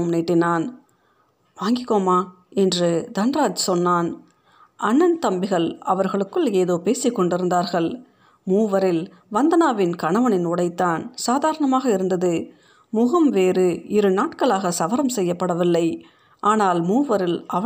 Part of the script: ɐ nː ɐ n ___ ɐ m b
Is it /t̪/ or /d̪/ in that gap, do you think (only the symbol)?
t̪